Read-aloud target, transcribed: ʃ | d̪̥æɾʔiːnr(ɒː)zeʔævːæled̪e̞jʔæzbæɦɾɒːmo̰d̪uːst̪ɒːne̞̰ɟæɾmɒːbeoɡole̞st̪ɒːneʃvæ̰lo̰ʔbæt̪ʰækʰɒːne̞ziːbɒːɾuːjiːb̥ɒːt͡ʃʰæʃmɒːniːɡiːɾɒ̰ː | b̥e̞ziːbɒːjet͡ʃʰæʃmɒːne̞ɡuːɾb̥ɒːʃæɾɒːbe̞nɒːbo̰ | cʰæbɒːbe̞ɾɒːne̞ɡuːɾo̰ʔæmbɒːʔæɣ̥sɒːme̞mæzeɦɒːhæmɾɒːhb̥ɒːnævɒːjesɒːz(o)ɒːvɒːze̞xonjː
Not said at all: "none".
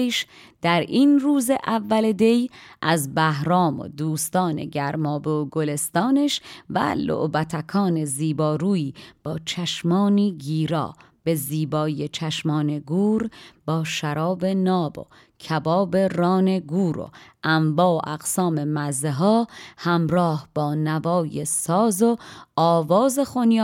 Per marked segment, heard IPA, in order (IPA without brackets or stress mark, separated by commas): uː, o